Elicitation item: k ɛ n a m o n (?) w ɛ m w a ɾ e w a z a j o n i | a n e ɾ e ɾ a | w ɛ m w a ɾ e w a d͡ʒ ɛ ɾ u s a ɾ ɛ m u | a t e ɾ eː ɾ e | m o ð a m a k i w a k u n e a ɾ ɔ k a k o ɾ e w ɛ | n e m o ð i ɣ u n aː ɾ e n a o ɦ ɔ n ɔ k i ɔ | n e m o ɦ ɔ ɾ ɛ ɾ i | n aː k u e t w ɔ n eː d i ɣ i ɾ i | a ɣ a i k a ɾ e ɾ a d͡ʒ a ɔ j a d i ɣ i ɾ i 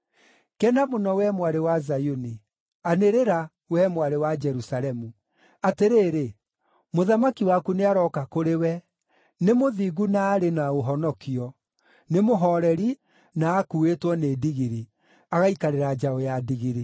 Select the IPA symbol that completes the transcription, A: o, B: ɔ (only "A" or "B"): B